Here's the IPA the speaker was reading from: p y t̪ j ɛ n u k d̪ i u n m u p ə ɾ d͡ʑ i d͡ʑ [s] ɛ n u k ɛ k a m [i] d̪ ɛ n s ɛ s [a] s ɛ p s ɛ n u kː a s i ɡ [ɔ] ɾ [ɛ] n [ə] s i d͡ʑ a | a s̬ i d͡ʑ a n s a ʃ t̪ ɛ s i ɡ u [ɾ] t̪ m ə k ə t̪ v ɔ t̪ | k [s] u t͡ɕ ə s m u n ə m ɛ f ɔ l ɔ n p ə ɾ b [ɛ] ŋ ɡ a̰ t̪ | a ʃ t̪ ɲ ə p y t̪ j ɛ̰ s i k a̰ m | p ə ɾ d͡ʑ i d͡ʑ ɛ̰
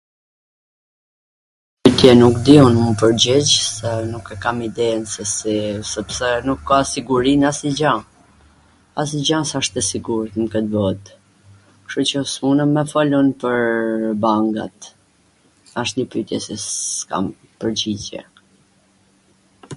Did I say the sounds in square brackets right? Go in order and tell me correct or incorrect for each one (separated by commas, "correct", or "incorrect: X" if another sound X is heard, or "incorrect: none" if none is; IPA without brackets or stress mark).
correct, correct, incorrect: i, incorrect: u, incorrect: i, incorrect: a, correct, incorrect: ʃ, incorrect: a